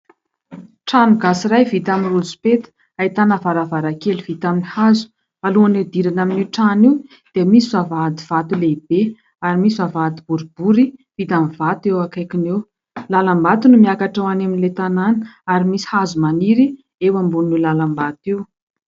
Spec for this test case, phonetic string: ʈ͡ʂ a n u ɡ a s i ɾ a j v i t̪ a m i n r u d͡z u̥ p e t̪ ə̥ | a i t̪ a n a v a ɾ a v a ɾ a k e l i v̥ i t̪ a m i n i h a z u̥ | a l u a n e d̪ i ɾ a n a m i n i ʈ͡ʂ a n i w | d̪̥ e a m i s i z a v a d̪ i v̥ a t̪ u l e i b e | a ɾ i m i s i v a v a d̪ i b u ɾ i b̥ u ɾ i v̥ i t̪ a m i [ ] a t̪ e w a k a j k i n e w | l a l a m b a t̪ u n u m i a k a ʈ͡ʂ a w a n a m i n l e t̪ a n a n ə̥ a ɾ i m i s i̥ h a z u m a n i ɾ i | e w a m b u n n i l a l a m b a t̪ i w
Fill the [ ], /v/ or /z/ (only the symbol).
v